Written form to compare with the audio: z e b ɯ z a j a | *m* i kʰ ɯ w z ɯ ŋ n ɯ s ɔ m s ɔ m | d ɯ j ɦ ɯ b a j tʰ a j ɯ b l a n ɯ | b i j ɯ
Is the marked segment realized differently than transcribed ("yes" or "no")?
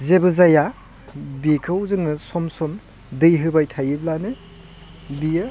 yes